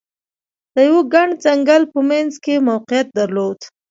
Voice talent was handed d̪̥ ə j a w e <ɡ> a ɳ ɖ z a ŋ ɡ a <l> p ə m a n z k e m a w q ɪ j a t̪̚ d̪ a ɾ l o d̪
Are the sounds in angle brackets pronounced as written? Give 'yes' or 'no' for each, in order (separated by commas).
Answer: yes, yes